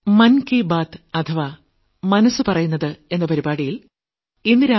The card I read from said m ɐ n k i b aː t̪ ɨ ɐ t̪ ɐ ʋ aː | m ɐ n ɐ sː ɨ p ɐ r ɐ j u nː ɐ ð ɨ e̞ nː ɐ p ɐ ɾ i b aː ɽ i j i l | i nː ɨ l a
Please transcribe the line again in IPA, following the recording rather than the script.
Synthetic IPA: m ɐ n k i b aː t̪ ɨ ɐ t̪ʰ ɐ ʋ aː | m ɐ n ɐ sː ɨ p ɐ r ɐ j u nː ɐ ð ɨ e̞ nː ɐ p ɐ ɾ i b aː ɽ i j i l | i nː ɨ ɾ a